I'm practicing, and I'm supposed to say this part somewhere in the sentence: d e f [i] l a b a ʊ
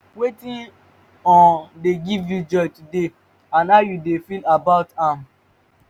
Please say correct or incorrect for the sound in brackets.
correct